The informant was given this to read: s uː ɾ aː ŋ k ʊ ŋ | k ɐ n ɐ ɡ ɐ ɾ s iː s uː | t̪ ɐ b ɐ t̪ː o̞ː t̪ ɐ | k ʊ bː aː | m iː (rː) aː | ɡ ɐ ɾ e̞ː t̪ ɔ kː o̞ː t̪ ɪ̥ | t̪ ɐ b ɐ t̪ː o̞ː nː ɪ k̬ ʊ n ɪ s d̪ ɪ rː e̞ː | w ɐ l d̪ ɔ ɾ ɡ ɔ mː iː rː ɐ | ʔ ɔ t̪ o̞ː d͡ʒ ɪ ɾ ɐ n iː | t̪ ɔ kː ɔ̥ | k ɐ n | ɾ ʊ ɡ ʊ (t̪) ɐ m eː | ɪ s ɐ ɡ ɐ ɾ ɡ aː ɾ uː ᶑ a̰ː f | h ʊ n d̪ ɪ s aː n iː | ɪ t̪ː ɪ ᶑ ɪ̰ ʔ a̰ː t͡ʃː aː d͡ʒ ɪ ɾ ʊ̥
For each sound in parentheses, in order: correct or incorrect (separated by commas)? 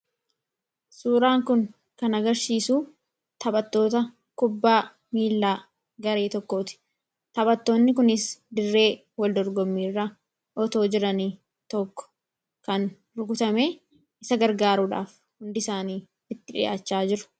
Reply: incorrect, correct